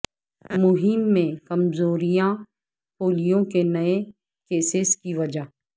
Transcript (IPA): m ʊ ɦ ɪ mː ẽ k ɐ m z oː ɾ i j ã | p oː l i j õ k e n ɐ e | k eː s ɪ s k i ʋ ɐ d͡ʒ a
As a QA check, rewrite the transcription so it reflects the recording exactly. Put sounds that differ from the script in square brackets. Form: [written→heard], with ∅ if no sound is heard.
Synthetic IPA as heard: m ʊ ɦ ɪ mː ẽ k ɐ m z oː ɾ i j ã | p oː l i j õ k e n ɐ e | k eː s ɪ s k i ʋ ɐ d͡ʒ a